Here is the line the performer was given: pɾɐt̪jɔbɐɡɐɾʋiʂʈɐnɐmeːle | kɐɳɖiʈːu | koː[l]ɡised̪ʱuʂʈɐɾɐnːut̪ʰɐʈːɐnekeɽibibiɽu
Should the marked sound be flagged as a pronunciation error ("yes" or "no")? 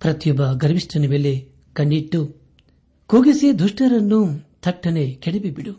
yes